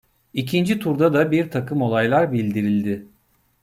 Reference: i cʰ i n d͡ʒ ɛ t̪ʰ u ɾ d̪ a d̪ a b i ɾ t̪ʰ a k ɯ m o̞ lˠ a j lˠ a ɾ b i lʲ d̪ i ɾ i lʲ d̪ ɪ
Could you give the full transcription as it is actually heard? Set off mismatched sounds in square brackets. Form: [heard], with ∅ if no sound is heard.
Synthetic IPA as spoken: i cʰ i n d͡ʒ [i] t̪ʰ u ɾ d̪ a d̪ a b i ɾ t̪ʰ a k ɯ m o̞ lˠ a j lˠ a ɾ b i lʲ d̪ i ɾ i lʲ d̪ ɪ

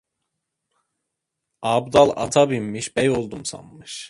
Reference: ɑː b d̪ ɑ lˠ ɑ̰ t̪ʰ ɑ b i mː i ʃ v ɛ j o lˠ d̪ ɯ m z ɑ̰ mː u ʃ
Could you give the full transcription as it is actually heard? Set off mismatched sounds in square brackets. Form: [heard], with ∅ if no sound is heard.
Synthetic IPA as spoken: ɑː b d̪ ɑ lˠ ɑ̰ t̪ʰ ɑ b i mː i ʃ [b] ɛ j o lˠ d̪ [u] m [s] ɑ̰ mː [ɯ] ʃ

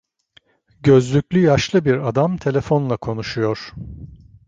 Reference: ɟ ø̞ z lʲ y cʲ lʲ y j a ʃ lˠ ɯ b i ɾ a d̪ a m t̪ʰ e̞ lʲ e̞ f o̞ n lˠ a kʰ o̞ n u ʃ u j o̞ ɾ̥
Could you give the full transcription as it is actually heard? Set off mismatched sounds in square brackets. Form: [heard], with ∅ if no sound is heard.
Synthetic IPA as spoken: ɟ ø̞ z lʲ y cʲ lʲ y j a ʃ lˠ ɯ b i ɾ a d̪ a m t̪ʰ e̞ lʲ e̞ f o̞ n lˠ a kʰ o̞ n u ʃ u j o̞ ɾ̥

